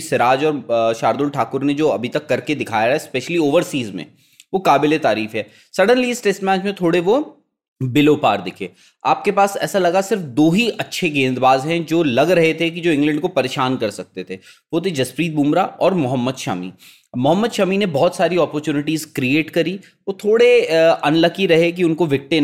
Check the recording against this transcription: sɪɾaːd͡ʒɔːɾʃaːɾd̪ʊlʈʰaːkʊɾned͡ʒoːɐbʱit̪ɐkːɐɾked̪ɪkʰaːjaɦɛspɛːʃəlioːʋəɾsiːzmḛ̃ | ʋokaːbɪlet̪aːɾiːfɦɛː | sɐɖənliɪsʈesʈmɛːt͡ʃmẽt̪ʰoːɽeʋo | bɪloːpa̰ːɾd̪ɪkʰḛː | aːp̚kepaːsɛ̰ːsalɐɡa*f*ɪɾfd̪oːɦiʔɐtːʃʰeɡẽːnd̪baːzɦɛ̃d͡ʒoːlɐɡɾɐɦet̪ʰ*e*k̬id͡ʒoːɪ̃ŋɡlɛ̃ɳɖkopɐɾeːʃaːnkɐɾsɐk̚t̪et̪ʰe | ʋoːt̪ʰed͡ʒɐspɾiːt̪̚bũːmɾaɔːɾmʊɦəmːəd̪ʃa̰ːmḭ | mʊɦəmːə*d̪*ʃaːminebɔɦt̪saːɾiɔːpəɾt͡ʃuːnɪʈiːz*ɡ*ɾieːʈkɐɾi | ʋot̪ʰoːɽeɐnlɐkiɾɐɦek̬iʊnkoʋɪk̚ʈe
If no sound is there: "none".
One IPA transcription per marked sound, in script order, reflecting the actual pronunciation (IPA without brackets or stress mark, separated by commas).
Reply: s, e, d̪, k